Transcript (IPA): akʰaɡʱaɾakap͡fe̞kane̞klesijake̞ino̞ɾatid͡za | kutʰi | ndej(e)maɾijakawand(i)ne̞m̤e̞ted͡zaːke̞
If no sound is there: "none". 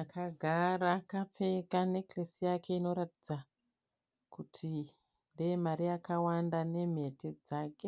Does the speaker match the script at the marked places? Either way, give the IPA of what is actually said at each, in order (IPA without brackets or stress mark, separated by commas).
e, a